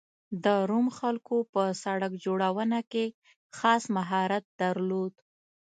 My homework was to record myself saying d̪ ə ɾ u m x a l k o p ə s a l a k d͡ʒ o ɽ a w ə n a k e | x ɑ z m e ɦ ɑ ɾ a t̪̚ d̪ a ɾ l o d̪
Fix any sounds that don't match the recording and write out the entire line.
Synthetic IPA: d̪ ə ɾ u m x a l k o p ə s a ɽ a k d͡ʒ o ɽ a w ə n a k e | x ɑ s m a ɦ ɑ ɾ a t̪̚ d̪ a ɾ l o d̪